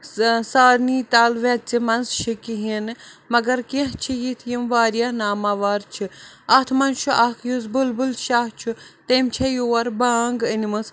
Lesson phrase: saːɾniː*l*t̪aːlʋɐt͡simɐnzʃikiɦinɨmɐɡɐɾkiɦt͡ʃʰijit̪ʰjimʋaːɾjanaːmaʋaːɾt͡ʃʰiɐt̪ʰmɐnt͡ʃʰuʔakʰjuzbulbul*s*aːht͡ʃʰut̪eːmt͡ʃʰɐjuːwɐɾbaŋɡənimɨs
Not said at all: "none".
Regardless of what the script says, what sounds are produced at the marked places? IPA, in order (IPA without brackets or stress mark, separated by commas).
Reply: none, ʃ